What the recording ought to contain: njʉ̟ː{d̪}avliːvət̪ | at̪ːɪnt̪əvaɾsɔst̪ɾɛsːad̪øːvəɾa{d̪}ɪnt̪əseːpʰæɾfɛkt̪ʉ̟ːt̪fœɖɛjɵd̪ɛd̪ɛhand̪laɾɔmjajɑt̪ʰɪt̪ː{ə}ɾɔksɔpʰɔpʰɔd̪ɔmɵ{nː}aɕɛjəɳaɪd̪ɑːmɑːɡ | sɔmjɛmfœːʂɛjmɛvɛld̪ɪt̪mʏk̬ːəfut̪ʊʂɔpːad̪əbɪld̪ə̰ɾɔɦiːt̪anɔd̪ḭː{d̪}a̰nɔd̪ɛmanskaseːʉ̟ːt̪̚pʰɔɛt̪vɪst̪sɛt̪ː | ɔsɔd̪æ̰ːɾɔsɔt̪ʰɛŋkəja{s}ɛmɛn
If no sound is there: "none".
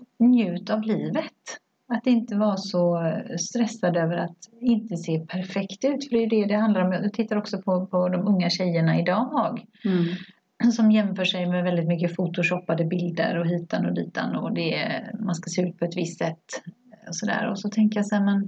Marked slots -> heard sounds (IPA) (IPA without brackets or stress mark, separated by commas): t̪, t̪, a, ŋː, t̪, s